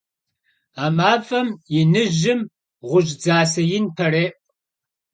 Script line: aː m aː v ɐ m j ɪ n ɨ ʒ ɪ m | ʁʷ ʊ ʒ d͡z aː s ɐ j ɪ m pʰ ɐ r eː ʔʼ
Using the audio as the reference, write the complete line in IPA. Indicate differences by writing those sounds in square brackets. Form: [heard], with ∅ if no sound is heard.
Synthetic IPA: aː m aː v ɐ m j ɪ n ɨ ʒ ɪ m | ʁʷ ʊ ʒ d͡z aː s ɐ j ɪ [n] pʰ ɐ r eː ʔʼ